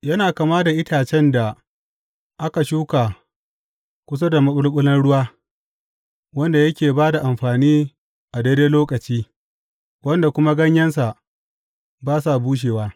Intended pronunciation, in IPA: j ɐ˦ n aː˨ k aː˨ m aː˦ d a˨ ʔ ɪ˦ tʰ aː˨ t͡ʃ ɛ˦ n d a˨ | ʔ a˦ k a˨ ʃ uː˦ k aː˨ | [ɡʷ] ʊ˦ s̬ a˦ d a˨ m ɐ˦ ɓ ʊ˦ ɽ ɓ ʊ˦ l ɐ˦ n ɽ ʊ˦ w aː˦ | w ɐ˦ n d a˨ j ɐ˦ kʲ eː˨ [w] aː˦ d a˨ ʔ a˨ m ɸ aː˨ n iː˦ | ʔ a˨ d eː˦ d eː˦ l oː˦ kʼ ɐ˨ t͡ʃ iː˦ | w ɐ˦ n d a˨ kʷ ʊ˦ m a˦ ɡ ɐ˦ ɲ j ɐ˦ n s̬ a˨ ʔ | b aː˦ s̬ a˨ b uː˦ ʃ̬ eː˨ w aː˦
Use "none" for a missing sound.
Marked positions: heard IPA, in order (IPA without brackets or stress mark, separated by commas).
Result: kʷ, b